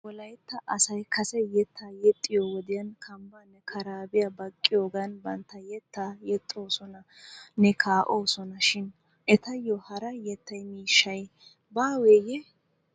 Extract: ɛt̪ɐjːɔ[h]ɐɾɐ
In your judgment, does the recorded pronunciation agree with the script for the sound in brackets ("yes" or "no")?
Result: yes